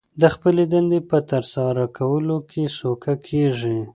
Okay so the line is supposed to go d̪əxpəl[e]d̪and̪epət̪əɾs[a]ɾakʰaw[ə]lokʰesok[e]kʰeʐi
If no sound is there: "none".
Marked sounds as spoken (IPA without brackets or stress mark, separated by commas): e, ɑ, ə, a